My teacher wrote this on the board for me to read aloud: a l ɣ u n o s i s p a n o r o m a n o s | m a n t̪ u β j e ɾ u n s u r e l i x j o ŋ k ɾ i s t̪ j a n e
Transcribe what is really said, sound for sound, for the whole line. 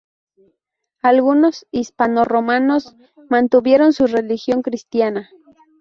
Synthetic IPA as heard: a l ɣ u n o s i s p a n o r o m a n o s | m a n t̪ u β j e ɾ o n s u r e l i x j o ŋ k ɾ i s t̪ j a n a